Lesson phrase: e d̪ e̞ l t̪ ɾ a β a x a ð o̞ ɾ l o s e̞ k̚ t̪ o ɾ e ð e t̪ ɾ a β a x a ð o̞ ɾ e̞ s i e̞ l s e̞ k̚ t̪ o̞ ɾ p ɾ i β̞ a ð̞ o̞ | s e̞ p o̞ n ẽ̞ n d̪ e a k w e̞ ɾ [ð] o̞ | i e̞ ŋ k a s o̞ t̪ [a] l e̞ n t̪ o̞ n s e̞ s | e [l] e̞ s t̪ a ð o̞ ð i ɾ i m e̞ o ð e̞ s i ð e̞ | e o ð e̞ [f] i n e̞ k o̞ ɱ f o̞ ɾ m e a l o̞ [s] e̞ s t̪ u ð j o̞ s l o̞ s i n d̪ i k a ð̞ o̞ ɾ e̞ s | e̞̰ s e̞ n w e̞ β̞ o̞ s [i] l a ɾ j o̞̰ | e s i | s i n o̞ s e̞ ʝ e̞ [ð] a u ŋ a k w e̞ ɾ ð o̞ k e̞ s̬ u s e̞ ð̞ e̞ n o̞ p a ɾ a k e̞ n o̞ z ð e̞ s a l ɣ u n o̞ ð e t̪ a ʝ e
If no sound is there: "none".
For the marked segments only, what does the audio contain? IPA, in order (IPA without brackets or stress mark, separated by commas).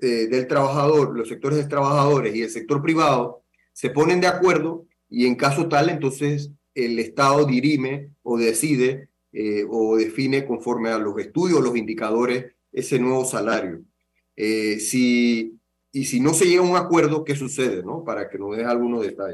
ð, a, l, f, s, a, ɣ